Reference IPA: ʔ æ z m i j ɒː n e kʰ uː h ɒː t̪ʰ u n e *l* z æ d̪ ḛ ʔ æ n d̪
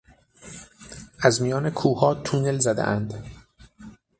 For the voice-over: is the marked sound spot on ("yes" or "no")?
yes